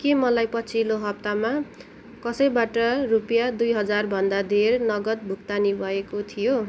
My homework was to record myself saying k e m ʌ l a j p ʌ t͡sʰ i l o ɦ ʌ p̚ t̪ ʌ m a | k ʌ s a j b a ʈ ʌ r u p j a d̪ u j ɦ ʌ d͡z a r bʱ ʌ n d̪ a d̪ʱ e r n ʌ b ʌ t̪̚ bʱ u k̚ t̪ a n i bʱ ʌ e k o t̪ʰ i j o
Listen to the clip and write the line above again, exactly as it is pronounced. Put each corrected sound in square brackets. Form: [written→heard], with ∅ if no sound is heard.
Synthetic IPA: k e m ʌ l a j p ʌ t͡sʰ i l o ɦ ʌ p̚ t̪ [ʌ→a] m a | k ʌ s [a→ʌ] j b a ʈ ʌ r u p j a d̪ u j ɦ ʌ d͡z a r bʱ ʌ n d̪ a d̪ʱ e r n ʌ [b→ɡ] ʌ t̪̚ bʱ u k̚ t̪ a n i bʱ ʌ e k o t̪ʰ i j o